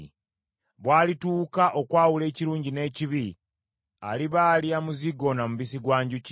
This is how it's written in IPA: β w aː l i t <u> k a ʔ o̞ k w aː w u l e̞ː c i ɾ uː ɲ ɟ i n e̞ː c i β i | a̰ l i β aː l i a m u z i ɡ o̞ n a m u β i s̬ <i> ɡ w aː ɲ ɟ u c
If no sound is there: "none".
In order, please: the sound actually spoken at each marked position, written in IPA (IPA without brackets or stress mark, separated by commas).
uː, i